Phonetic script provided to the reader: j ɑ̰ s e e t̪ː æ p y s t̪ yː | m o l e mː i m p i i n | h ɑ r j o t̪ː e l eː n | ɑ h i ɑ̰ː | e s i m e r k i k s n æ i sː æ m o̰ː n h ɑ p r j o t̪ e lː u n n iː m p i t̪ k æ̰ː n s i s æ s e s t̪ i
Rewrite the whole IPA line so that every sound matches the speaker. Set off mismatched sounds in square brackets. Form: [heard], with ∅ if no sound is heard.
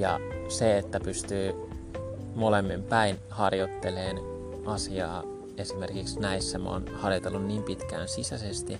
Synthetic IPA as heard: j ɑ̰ s e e t̪ː æ p y s t̪ yː | m o l e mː i m p [æ] i n | h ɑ r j o t̪ː e l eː n | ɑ [s] i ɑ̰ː | e s i m e r k i k s n æ i sː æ m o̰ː n h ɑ [∅] r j o t̪ e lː u n n iː m p i t̪ k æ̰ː n s i s æ s e s t̪ i